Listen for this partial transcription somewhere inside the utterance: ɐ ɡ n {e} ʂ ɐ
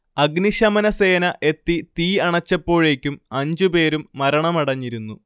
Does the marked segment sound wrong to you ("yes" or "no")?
yes